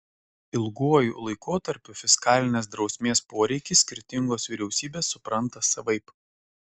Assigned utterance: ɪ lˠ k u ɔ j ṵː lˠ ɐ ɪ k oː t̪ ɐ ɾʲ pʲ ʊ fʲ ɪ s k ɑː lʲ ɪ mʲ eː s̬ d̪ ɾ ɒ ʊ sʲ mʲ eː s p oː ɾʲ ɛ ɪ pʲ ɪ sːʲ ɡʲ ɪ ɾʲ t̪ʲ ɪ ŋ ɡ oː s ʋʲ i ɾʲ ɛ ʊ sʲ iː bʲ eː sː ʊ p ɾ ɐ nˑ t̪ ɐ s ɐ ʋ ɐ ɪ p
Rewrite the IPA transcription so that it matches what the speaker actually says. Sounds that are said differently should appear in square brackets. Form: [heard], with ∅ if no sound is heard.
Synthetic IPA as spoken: ɪ lˠ [ɡ] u ɔ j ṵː lˠ ɐ ɪ k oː t̪ ɐ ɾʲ pʲ ʊ fʲ ɪ s k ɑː lʲ ɪ [nʲ] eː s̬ d̪ ɾ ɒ ʊ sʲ mʲ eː s p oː ɾʲ ɛ ɪ [kʲ] ɪ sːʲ [kʲ] ɪ ɾʲ t̪ʲ ɪ ŋ ɡ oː s ʋʲ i ɾʲ ɛ ʊ sʲ iː bʲ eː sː ʊ p ɾ ɐ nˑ t̪ ɐ s ɐ ʋ ɐ ɪ p